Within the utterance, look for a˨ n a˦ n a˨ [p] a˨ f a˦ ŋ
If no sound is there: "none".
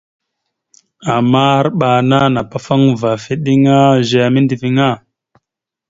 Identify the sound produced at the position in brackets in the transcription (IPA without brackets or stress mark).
p